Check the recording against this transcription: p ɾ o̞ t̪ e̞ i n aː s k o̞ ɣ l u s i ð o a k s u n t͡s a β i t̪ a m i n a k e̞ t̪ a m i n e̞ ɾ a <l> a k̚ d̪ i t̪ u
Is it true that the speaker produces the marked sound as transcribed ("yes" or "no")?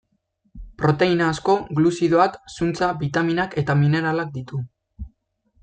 yes